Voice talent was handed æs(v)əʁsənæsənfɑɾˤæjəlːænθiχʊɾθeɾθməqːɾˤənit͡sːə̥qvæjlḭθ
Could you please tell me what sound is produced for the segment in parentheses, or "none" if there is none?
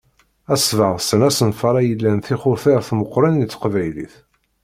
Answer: v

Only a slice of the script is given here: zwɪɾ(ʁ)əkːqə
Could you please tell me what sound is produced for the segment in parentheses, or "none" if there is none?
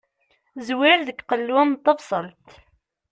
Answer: ð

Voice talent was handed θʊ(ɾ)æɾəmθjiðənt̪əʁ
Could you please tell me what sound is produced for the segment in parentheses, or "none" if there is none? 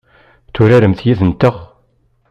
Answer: ɾ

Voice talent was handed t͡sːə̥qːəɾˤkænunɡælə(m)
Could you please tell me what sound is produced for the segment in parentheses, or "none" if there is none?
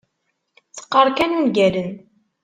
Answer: n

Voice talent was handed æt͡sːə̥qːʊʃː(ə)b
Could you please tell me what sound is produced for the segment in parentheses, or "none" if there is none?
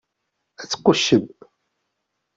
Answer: ə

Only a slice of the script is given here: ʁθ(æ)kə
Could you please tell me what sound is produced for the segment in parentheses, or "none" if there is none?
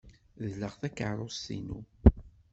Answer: æ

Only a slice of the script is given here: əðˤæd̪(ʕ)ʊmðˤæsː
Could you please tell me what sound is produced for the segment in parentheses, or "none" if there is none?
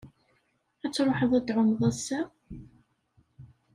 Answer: ʕ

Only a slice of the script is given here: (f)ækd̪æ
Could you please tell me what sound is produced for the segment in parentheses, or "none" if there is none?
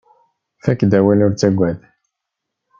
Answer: f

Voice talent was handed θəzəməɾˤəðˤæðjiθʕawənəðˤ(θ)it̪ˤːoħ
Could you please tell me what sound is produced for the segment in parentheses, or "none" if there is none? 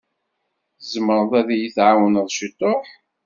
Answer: ʃ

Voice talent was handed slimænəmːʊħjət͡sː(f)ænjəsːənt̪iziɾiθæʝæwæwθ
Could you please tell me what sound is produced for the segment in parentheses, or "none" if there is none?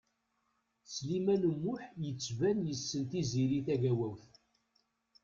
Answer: v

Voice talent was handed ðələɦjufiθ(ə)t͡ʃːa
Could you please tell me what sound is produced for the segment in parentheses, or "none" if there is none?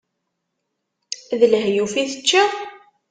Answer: ə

